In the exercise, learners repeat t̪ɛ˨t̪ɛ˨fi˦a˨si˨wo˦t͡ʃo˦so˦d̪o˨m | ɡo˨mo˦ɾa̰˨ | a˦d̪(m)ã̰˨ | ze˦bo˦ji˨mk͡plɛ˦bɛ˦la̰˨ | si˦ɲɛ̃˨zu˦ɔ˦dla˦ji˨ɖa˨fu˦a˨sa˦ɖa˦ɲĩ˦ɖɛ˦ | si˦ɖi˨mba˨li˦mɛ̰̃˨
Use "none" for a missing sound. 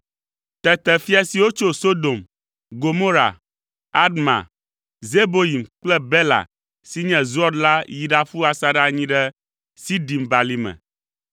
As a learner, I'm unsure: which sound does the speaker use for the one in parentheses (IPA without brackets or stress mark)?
m